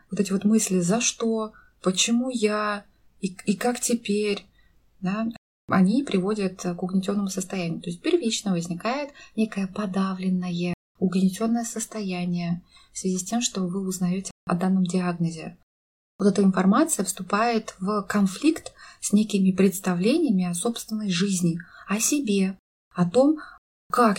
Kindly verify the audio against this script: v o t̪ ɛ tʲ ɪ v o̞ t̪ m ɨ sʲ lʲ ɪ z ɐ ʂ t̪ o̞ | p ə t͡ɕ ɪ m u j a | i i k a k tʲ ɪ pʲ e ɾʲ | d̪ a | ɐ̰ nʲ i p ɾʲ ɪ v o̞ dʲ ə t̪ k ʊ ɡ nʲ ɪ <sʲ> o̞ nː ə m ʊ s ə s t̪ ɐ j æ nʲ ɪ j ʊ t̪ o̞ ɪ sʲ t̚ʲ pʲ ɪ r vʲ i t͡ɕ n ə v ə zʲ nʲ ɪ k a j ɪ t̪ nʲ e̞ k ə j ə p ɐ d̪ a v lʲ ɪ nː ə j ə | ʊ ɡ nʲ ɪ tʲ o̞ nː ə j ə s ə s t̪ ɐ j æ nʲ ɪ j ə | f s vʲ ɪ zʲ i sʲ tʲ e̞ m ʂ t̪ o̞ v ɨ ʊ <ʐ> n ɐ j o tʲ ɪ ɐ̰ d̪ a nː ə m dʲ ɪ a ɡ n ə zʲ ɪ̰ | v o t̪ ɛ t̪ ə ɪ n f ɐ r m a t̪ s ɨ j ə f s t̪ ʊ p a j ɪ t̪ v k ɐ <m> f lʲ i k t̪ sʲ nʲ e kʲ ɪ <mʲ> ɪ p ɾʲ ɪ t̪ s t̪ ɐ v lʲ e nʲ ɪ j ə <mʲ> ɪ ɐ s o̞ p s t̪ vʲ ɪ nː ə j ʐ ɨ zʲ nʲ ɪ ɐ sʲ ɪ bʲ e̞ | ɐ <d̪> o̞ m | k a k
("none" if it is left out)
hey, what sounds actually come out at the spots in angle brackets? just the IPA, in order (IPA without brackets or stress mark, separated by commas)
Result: tʲ, z, n, mʲ, mʲ, t̪